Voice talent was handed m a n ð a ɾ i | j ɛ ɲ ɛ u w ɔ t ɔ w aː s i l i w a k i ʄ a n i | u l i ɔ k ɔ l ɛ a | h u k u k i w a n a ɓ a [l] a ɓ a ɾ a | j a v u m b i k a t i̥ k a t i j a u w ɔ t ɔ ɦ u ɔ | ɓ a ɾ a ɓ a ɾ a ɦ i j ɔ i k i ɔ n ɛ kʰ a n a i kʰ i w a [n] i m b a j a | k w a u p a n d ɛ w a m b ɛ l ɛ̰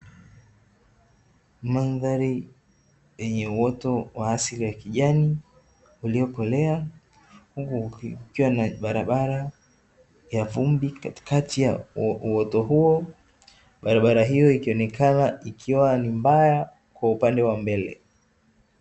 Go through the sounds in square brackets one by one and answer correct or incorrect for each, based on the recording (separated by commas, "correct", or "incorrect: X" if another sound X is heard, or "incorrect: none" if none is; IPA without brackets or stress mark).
incorrect: ɾ, correct